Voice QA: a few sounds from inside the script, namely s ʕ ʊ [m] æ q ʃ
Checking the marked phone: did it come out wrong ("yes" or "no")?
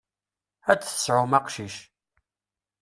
no